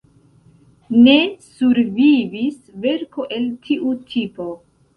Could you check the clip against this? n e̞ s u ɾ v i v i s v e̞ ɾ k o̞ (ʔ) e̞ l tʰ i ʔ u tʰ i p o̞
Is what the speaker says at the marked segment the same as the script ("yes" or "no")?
yes